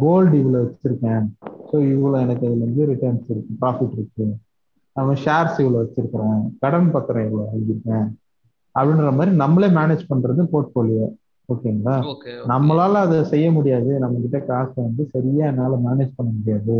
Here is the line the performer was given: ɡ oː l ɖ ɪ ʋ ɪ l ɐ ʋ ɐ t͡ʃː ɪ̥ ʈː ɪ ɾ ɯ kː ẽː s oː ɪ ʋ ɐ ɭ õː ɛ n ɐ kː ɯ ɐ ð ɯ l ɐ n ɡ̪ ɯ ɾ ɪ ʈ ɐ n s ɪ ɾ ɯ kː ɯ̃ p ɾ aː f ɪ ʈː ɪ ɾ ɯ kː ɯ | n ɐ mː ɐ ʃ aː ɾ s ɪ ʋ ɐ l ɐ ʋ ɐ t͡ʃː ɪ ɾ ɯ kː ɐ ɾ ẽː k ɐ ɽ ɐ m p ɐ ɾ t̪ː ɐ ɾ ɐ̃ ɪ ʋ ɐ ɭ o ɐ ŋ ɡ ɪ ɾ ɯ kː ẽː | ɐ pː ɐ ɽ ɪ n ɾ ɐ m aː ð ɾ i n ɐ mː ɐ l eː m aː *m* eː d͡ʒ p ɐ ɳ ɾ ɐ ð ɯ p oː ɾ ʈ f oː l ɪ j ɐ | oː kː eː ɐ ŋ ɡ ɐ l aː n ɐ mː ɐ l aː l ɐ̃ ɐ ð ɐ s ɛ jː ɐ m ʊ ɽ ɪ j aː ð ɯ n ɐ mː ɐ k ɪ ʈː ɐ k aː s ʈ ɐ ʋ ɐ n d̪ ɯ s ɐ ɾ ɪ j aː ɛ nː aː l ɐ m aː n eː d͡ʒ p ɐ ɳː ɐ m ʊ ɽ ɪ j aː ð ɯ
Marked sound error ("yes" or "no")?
yes